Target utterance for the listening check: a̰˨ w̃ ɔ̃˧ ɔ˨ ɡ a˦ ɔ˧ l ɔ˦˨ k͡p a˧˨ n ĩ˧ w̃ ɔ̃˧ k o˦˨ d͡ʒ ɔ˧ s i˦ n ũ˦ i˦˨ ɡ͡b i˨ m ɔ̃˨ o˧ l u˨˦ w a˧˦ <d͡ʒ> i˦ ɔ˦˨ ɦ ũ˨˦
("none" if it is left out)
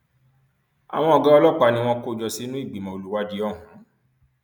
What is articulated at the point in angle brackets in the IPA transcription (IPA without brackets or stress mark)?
d͡ʒ